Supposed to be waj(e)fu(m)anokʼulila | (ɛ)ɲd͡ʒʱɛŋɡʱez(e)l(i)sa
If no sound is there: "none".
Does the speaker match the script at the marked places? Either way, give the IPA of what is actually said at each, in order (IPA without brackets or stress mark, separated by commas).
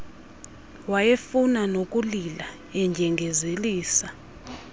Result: e, n, ɛ, e, iː